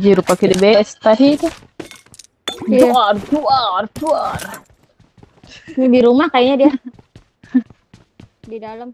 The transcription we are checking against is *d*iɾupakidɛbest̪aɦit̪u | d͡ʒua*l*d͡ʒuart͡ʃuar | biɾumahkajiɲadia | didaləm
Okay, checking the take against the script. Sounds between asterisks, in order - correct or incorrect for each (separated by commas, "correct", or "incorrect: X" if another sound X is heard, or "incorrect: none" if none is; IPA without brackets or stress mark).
incorrect: d͡ʒ, incorrect: r